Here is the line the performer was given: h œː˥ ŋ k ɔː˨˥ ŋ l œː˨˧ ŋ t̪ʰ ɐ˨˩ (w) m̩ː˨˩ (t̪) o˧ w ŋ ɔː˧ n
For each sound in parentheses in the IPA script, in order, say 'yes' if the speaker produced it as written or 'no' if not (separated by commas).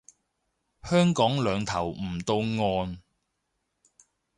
yes, yes